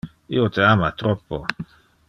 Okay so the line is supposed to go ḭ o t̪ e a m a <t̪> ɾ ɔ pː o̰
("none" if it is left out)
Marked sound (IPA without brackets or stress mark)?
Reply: t̪